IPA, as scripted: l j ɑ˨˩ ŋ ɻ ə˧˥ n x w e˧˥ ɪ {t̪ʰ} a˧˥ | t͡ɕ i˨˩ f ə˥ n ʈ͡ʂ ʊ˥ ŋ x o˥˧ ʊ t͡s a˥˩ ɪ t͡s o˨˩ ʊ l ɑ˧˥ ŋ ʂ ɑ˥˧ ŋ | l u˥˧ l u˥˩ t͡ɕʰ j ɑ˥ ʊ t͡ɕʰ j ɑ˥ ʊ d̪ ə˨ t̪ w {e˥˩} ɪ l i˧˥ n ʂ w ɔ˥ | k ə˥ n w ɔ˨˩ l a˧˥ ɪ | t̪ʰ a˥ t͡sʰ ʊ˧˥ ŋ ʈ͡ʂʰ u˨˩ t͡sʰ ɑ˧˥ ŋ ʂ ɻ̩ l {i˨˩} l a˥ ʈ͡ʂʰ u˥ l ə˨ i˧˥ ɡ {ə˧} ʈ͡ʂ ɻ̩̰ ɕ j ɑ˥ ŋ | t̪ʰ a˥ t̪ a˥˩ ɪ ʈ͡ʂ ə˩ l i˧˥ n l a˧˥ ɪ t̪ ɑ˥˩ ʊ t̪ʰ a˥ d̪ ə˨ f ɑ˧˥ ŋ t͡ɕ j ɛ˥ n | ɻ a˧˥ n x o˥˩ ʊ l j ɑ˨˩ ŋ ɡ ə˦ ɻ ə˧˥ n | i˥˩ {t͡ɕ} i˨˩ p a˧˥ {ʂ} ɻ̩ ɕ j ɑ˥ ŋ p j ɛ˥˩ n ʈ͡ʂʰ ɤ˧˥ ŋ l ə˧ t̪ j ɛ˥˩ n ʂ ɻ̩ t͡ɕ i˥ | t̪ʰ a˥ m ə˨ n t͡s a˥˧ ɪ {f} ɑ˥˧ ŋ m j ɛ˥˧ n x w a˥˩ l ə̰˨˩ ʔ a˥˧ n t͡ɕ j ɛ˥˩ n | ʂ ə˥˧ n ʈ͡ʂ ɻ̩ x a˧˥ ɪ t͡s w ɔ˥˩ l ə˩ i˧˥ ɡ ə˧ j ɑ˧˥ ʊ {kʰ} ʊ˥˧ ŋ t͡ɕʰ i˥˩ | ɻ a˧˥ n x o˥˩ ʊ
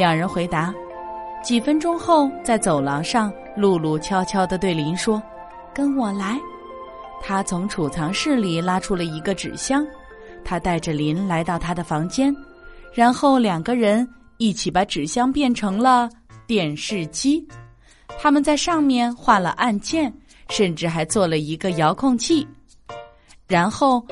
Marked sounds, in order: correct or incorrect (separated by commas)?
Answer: incorrect, correct, correct, correct, incorrect, incorrect, incorrect, correct